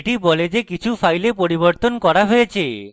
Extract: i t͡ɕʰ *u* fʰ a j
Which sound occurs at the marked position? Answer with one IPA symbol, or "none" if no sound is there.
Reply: u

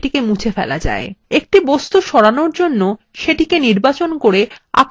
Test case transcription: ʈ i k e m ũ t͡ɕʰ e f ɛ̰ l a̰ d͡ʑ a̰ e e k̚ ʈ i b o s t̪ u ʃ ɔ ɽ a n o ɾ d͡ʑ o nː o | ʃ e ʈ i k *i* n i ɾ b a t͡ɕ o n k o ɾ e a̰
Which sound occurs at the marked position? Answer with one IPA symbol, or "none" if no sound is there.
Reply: e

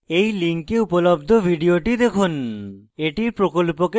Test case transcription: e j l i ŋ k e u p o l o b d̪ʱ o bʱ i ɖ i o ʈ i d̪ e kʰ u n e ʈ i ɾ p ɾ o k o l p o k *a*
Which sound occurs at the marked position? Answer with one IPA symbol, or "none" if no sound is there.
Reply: e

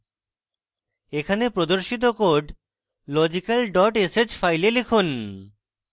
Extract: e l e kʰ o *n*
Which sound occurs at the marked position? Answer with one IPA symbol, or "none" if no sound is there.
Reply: n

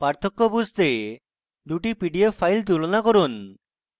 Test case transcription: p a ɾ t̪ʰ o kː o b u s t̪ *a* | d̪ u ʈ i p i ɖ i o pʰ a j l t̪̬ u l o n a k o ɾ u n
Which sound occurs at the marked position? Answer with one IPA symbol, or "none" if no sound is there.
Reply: e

